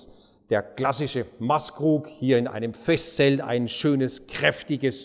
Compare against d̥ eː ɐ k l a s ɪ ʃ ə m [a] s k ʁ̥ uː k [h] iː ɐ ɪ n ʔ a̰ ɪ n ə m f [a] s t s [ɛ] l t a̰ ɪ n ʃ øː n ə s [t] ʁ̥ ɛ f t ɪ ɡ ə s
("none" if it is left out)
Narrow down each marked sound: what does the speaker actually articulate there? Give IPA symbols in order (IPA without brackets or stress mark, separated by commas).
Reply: a, h, ɛ, ɛ, k